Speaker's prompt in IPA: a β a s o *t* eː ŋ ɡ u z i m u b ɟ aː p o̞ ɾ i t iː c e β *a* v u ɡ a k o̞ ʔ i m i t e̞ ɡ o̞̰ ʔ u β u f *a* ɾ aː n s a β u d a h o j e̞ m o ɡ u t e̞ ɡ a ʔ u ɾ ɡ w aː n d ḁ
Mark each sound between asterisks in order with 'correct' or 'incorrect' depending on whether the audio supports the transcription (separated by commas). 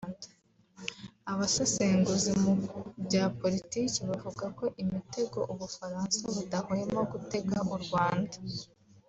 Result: incorrect, correct, correct